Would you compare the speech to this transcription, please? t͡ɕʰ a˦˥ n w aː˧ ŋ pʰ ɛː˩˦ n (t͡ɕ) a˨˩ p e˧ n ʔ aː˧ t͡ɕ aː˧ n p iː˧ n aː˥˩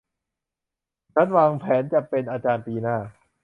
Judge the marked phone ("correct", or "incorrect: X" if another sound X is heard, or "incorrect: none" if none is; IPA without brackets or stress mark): correct